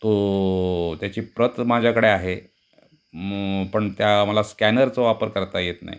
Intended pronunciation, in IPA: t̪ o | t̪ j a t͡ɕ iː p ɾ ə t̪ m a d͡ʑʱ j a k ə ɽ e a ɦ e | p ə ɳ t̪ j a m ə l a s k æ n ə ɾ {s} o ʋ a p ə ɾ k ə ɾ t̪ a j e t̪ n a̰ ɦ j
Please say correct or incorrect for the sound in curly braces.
incorrect